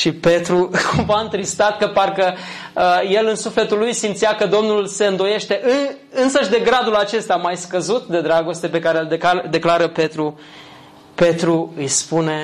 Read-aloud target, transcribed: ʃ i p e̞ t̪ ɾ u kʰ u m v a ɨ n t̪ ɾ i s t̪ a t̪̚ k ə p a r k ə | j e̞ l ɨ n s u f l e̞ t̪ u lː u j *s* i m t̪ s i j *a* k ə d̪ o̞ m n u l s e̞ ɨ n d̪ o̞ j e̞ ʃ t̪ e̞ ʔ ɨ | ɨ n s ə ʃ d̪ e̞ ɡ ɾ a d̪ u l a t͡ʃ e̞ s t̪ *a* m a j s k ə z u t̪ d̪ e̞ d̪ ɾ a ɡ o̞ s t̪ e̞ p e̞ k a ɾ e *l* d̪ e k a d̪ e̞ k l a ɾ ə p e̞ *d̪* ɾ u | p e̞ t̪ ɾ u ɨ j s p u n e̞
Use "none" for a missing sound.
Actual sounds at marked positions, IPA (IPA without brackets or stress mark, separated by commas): s, a, a, l, t̪